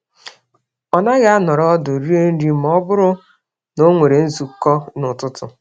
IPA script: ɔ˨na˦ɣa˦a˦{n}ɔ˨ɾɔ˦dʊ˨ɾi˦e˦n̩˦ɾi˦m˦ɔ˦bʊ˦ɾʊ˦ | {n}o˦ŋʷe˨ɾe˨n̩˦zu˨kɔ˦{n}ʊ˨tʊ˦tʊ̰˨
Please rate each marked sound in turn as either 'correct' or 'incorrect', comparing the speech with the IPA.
correct, correct, correct

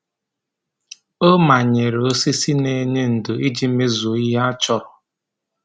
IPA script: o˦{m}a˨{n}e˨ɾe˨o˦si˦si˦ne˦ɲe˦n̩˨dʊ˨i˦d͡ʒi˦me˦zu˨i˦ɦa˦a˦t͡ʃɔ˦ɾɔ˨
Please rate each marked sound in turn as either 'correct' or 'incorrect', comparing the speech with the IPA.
correct, incorrect

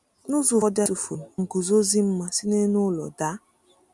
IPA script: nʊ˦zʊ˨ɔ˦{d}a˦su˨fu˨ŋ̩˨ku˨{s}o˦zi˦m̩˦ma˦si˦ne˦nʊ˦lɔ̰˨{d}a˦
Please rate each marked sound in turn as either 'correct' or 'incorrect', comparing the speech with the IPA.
correct, incorrect, correct

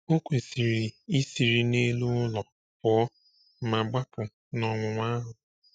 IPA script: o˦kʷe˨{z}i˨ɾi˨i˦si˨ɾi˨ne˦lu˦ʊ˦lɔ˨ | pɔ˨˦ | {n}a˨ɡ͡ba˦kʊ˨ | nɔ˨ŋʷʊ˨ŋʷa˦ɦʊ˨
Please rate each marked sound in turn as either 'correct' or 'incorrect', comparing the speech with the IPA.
incorrect, incorrect

